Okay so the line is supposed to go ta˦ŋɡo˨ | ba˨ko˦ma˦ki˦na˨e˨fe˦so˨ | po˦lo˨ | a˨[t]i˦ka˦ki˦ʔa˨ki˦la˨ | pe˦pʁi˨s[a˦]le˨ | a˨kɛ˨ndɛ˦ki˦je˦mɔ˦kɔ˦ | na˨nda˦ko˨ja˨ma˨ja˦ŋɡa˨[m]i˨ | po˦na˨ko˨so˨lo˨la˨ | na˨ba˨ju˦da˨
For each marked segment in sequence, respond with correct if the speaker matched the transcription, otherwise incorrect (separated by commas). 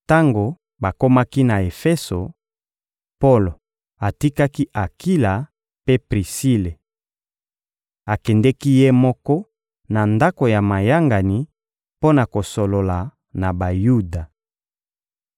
correct, incorrect, incorrect